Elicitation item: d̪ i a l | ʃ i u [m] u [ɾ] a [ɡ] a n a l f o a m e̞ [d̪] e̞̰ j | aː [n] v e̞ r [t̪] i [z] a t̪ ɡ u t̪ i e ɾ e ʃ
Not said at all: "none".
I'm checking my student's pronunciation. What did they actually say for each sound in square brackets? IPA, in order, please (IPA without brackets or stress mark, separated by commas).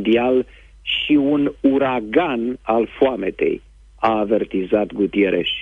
n, ɾ, ɡ, t̪, none, t̪, z